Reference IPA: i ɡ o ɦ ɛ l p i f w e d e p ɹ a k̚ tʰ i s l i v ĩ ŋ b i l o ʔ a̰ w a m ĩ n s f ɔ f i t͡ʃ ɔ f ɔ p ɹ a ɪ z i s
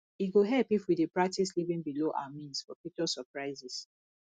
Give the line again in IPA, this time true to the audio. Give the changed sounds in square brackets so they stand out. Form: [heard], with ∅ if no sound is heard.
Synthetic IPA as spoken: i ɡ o ɦ ɛ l p i f w [i] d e p ɹ a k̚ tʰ i s l i v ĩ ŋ b i l o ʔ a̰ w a m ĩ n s f ɔ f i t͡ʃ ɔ [s] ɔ p ɹ a ɪ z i s